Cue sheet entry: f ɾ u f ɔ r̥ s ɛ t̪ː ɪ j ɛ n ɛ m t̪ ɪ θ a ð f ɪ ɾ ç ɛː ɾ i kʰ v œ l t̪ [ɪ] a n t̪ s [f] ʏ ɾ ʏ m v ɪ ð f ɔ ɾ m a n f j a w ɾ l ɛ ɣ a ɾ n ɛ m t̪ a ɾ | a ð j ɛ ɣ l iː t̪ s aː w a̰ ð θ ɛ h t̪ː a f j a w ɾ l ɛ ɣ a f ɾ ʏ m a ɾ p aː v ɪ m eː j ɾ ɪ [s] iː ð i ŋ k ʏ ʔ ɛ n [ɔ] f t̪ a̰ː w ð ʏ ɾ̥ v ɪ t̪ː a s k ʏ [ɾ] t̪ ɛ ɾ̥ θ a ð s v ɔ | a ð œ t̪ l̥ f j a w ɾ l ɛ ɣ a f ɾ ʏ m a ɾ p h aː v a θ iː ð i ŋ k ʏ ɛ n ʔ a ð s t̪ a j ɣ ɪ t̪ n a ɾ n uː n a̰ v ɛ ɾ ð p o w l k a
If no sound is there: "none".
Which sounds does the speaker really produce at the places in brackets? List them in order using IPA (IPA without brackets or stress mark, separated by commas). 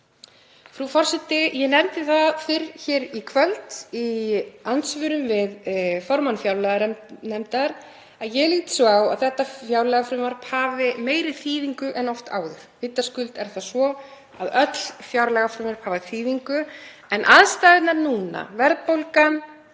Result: i, v, θ, ɔ, l